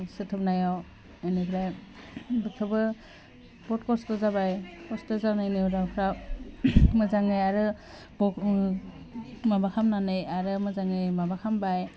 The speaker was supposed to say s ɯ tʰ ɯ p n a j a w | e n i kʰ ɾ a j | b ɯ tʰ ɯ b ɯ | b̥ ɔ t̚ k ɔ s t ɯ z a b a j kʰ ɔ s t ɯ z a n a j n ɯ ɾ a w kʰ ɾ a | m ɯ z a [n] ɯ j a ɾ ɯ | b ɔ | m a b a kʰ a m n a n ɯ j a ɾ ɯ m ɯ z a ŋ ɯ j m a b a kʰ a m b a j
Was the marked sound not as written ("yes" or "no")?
yes